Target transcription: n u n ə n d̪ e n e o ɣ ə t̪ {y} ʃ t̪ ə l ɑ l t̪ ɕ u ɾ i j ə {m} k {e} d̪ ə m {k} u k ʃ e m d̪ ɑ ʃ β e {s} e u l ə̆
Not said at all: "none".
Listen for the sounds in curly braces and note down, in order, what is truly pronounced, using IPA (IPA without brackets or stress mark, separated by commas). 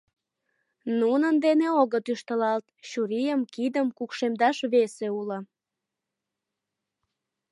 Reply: y, m, i, k, s